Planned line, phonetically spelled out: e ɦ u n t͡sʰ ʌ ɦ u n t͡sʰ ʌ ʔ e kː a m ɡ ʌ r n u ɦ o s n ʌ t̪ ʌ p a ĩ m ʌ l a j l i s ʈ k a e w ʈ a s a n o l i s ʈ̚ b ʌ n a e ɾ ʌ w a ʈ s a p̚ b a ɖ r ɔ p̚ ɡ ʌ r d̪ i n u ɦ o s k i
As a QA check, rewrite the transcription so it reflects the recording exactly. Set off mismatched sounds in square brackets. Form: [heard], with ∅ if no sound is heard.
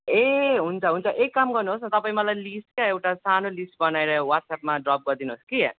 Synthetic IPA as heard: e ɦ u n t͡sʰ ʌ ɦ u n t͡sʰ ʌ ʔ e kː a m ɡ ʌ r n u ɦ o s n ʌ t̪ ʌ p a ĩ m ʌ l a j l i s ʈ k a e w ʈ a s a n o l i s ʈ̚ b ʌ n a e ɾ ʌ w a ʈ s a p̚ [m] a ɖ r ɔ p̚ ɡ ʌ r d̪ i n u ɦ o s k i

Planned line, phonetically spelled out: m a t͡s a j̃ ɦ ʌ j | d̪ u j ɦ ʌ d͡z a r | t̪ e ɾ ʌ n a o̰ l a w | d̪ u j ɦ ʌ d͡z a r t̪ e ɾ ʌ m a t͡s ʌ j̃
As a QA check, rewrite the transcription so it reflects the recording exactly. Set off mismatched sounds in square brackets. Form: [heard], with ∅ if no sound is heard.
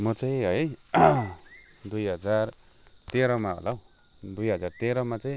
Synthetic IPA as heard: m [ʌ] t͡s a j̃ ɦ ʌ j | d̪ u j ɦ ʌ d͡z a r | t̪ e ɾ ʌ [m] a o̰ l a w | d̪ u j ɦ ʌ d͡z a r t̪ e ɾ ʌ m a t͡s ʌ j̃

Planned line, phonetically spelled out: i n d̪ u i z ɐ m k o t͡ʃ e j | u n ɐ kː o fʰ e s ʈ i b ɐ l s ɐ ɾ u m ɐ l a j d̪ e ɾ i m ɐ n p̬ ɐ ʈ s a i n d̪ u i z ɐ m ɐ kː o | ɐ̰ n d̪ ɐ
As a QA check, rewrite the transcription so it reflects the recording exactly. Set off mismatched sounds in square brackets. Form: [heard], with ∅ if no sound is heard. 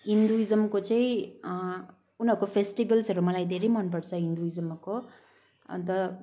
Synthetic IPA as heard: i n d̪ u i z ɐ m k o t͡ʃ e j | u n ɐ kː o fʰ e s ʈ i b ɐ l s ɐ ɾ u m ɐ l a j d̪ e ɾ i m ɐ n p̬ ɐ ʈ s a i n d̪ u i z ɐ m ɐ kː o | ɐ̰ n [t̪] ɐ

